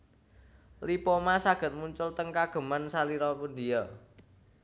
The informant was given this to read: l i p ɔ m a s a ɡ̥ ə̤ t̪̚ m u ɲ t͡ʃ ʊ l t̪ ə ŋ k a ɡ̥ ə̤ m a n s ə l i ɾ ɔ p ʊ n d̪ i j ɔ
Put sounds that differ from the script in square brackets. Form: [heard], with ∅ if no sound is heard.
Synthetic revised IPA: l i p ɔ m a s a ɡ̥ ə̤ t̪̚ m u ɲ t͡ʃ ʊ l t̪ ə ŋ k a ɡ̥ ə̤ m a n s [a] l i ɾ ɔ p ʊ n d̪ i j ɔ